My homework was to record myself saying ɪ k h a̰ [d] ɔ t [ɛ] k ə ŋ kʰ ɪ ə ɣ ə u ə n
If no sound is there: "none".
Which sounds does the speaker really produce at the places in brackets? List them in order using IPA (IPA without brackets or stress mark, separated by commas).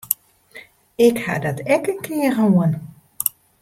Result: d, ɛ